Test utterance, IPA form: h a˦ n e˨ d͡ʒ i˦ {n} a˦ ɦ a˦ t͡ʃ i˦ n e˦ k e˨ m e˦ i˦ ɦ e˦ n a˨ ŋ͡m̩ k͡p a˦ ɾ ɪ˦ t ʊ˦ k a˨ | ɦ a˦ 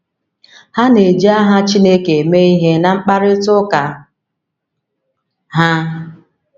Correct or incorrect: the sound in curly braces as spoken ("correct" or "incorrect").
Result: incorrect